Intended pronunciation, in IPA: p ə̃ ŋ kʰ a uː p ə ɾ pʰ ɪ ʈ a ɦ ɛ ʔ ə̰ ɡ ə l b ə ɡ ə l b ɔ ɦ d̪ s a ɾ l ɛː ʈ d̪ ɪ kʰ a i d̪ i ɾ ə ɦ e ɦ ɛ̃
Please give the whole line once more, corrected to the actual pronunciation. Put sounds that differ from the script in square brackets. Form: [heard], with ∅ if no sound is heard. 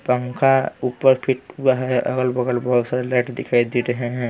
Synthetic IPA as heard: p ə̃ ŋ kʰ a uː p ə ɾ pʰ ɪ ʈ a ɦ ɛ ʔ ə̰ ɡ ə l b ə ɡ ə l b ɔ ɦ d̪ s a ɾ l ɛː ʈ d̪ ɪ kʰ a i d̪ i ɾ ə ɦ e ɦ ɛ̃